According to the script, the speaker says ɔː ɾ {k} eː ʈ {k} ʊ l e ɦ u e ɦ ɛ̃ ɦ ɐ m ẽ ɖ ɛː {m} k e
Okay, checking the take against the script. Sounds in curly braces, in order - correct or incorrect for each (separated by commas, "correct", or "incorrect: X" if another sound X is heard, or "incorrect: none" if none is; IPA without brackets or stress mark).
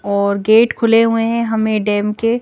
incorrect: ɡ, incorrect: kʰ, correct